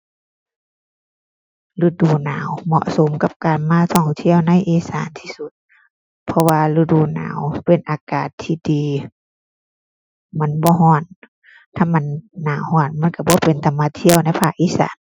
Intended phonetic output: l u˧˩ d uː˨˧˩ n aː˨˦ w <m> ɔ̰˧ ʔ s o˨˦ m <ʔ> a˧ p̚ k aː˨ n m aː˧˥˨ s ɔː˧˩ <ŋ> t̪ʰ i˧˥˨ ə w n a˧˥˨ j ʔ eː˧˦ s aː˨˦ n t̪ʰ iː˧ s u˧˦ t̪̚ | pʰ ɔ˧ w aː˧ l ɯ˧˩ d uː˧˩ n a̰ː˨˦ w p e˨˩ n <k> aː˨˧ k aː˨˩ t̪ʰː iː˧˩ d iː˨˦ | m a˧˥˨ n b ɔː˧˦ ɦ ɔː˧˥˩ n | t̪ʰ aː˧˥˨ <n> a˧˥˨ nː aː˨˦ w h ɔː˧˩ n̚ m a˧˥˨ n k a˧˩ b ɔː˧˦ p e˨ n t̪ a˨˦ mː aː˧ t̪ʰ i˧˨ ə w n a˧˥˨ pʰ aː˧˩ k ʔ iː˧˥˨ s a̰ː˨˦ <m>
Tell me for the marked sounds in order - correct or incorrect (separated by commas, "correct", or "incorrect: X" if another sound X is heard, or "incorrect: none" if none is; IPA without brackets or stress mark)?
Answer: correct, incorrect: k, correct, incorrect: ʔ, incorrect: m, incorrect: n